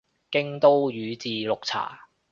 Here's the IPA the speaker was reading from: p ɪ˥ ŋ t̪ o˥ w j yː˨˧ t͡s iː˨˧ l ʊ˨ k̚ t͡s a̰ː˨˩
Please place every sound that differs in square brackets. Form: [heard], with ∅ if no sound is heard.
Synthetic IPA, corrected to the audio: [k] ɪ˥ ŋ t̪ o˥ w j yː˨˧ t͡s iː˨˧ l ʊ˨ k̚ [t͡sʰ] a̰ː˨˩

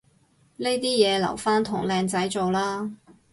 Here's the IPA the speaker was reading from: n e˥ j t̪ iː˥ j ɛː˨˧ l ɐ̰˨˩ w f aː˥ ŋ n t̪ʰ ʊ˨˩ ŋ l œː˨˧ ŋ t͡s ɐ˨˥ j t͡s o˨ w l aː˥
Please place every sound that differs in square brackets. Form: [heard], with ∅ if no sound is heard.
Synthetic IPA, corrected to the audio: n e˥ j t̪ iː˥ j ɛː˨˧ l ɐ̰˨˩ w f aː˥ [∅] n t̪ʰ ʊ˨˩ ŋ l [ɛː˨˧] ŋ t͡s ɐ˨˥ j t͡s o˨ w l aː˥

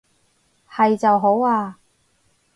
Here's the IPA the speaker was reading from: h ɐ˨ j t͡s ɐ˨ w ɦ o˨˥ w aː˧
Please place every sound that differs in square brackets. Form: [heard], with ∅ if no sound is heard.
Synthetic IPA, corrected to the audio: h ɐ˨ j t͡s ɐ˨ w ɦ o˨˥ w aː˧

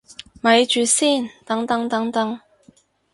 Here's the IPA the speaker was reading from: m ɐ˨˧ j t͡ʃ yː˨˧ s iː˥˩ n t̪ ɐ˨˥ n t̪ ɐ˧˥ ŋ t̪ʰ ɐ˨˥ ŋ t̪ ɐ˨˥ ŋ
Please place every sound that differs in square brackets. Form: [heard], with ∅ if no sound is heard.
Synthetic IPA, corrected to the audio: m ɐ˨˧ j t͡ʃ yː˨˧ s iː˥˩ n t̪ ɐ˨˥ [ŋ] t̪ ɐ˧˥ ŋ [t̪] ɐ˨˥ ŋ t̪ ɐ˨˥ ŋ

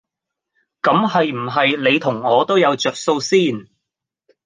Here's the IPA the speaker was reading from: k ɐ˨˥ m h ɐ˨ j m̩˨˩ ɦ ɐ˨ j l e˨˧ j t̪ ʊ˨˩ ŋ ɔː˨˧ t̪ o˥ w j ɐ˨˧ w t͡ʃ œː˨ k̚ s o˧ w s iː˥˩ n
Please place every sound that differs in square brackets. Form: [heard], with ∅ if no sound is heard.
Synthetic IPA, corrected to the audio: k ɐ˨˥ m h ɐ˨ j m̩˨˩ ɦ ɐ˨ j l e˨˧ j [t̪ʰ] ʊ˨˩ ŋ ɔː˨˧ t̪ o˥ w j ɐ˨˧ w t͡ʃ œː˨ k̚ s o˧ w s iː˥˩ n

